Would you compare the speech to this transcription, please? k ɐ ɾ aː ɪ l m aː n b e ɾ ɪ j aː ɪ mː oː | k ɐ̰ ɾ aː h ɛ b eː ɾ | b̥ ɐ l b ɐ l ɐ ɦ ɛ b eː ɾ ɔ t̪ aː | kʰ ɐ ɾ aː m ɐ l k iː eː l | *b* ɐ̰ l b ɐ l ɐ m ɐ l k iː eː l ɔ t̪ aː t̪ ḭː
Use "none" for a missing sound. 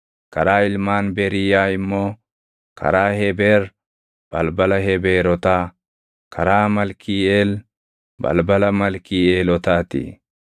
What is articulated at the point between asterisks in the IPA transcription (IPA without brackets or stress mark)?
b